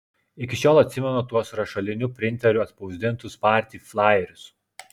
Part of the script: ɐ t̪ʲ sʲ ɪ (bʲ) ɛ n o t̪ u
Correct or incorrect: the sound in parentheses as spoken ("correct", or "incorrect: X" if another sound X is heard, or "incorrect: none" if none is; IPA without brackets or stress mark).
incorrect: mʲ